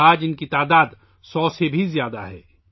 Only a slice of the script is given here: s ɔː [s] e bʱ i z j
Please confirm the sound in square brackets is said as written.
yes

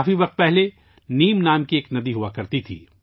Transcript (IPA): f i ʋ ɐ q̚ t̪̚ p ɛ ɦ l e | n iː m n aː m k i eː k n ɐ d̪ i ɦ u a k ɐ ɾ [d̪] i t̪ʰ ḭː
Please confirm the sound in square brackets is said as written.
no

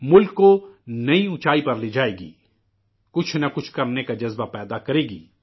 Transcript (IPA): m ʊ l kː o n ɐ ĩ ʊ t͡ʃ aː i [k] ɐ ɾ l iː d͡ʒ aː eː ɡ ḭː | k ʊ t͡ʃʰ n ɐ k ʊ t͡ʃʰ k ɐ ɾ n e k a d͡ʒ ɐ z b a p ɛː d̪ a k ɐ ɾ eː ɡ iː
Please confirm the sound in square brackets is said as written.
no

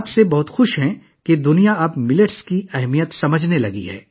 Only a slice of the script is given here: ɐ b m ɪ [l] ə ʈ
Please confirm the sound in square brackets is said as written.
yes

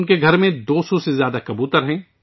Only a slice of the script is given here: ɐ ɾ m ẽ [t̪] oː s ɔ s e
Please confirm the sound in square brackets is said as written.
no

